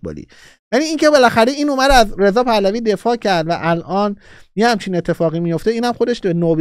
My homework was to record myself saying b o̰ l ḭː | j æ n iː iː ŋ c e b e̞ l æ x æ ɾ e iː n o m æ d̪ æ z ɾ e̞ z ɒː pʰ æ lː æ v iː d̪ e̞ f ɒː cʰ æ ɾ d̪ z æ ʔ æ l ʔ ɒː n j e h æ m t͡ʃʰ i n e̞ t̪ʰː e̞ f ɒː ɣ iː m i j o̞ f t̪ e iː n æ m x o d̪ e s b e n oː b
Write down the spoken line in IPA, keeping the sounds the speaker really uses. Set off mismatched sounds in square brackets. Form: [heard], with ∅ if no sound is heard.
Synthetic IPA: b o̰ l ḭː | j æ n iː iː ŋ c e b e̞ l æ x æ ɾ e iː n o m æ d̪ æ z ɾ e̞ z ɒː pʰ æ [l] æ v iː d̪ e̞ f ɒː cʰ æ ɾ d̪ [v] æ ʔ æ l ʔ ɒː n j e h æ m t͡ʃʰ i n e̞ t̪ʰː e̞ f ɒː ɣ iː m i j o̞ f t̪ e iː n æ m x o d̪ e [ʃ] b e n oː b

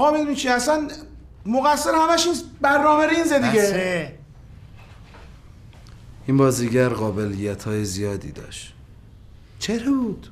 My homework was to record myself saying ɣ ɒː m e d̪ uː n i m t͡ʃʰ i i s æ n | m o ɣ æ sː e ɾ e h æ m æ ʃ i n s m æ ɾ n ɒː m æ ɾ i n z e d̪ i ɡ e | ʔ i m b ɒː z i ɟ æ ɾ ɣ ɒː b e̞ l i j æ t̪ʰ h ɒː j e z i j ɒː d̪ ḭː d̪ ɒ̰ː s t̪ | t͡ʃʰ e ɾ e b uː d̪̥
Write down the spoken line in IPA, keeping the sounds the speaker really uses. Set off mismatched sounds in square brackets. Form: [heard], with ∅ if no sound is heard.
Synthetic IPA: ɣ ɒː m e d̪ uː n i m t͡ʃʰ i [æ] s æ n | m o ɣ æ sː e ɾ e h æ m æ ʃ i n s [b] æ ɾ n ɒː m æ ɾ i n z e d̪ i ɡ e | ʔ i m b ɒː z i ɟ æ ɾ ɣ ɒː b e̞ l i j æ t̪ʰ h ɒː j e z i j ɒː d̪ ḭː d̪ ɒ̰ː [ʃ] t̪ | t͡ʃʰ e ɾ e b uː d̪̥

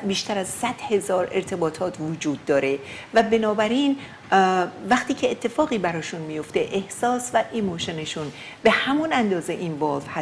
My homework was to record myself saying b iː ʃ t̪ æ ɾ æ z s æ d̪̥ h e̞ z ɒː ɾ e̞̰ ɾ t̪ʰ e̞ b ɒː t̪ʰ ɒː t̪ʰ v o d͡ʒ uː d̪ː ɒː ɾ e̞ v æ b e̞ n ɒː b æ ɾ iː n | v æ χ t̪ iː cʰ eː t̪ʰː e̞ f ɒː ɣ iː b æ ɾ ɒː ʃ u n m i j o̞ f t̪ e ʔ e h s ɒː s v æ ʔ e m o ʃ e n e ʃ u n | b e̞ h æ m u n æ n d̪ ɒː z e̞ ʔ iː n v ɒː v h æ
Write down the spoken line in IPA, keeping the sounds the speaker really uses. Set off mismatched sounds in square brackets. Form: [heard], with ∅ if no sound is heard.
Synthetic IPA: b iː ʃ t̪ æ ɾ æ z s æ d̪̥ h e̞ z ɒː ɾ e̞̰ ɾ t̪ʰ e̞ b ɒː t̪ʰ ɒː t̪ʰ v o d͡ʒ uː d̪ː ɒː ɾ e̞ v æ b e̞ n ɒː b æ ɾ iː n | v æ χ t̪ iː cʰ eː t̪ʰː e̞ f ɒː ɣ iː b æ ɾ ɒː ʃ u n m i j o̞ f t̪ e ʔ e h s ɒː s v æ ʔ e m o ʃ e n e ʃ u n | b e̞ h æ m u n æ n d̪ ɒː z e̞ ʔ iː n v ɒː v h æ

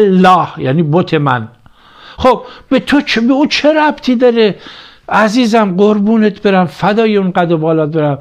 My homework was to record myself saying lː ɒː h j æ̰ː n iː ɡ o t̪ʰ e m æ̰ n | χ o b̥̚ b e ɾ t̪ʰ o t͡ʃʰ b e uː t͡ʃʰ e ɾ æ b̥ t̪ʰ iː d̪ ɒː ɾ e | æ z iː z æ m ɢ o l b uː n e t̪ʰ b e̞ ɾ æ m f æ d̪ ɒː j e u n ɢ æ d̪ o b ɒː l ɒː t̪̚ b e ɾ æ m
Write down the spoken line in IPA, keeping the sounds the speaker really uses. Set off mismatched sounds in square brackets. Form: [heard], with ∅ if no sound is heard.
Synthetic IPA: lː ɒː h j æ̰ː n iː [b] o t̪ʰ e m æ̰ n | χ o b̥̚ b e [∅] t̪ʰ o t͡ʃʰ b e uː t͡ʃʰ e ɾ æ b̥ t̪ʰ iː d̪ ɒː ɾ e | æ z iː z æ m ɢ o [ɾ] b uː n e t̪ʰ b e̞ ɾ æ m f æ d̪ ɒː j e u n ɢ æ d̪ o b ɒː l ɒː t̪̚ b e ɾ æ m

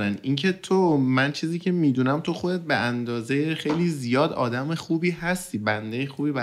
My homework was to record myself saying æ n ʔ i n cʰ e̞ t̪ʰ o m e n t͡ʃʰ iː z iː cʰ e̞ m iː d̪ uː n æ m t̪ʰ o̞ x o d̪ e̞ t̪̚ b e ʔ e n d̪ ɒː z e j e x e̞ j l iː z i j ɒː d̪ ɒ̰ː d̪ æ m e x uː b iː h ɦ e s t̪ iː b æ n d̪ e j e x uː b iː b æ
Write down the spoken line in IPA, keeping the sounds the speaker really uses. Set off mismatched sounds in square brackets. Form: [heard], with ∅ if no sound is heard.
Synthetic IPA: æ n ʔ i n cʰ e̞ t̪ʰ o m [æ] n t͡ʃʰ iː z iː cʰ e̞ m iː d̪ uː n æ m t̪ʰ o̞ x o d̪ e̞ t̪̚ b e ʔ [æ] n d̪ ɒː z e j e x e̞ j l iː z i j ɒː d̪ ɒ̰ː d̪ æ m e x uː b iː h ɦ [æ] s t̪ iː b æ n d̪ e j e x uː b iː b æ

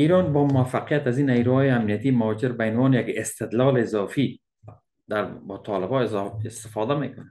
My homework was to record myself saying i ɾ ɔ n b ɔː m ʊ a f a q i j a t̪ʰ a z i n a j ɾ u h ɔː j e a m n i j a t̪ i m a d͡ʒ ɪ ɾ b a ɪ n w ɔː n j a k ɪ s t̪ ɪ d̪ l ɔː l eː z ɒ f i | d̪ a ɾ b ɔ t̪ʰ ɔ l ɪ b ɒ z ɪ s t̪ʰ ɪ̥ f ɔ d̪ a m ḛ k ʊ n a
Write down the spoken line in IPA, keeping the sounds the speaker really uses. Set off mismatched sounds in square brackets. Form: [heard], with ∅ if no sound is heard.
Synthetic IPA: i ɾ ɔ n b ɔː m ʊ a f a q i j a [t̪] a z i n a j ɾ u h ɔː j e a m n i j a t̪ i m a d͡ʒ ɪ ɾ b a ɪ n w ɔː n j a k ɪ s t̪ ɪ d̪ l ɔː l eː z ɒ f i | d̪ a ɾ b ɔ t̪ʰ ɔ l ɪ b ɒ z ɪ s [t̪] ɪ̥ f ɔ d̪ a m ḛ k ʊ n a

